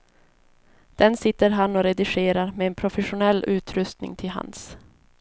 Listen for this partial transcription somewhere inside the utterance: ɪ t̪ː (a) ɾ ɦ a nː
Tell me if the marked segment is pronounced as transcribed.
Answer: no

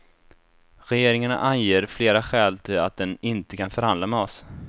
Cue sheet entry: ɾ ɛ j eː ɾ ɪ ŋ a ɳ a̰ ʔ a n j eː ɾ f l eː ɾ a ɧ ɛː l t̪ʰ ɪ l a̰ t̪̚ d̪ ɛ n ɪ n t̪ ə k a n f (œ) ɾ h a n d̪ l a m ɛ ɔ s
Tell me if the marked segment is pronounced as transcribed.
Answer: yes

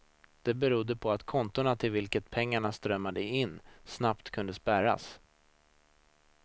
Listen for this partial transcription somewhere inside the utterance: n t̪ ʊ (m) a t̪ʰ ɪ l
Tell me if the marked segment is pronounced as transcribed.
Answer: no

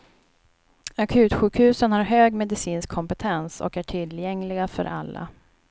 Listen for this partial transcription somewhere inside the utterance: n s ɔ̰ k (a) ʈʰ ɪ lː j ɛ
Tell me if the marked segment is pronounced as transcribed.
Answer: no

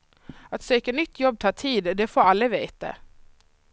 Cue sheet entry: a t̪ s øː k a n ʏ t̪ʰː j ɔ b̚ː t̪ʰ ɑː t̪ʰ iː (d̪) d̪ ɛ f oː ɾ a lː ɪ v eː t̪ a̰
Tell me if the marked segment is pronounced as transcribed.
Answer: yes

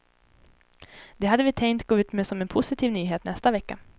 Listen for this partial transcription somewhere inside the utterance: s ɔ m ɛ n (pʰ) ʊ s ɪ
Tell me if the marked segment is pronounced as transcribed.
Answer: yes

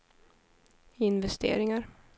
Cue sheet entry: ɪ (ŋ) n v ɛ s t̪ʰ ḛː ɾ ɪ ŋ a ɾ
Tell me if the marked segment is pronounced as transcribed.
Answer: no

